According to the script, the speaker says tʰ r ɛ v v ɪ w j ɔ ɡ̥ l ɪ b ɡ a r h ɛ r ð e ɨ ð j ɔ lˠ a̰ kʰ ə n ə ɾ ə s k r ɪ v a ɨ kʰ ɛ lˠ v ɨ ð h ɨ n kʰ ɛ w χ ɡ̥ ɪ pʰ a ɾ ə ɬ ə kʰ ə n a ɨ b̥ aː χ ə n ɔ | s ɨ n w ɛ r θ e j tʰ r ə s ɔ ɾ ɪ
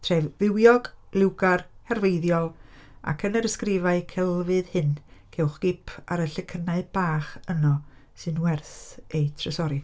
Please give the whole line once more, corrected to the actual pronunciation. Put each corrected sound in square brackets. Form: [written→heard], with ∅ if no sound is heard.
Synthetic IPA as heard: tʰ r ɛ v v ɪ w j ɔ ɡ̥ l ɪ [b→w] ɡ a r h ɛ r [ð→v] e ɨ ð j ɔ lˠ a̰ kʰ ə n ə ɾ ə s k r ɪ v a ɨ kʰ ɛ lˠ v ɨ ð h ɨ n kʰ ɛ w χ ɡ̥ ɪ pʰ a ɾ ə ɬ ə kʰ ə n a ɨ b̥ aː χ ə n ɔ | s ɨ n w ɛ r θ e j tʰ r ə s ɔ ɾ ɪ